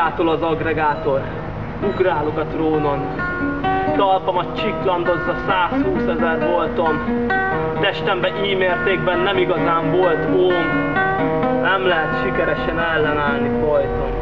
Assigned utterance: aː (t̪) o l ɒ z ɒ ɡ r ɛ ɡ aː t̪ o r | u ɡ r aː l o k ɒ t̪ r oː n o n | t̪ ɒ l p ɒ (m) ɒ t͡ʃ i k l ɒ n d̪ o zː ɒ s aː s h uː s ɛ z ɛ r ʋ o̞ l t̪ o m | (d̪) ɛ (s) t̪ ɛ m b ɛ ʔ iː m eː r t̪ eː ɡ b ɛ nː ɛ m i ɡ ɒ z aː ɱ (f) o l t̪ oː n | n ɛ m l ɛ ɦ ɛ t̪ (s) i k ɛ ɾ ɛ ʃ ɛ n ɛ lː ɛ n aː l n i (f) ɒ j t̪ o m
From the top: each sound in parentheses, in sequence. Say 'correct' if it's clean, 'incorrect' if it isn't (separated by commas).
correct, correct, incorrect, incorrect, incorrect, incorrect, correct